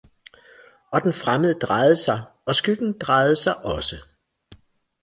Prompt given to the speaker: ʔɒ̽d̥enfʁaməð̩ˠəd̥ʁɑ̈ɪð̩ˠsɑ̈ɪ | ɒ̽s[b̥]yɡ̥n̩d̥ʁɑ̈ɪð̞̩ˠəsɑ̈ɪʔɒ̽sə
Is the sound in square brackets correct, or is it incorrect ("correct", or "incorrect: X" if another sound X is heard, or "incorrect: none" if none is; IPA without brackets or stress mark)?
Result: incorrect: ɡ̥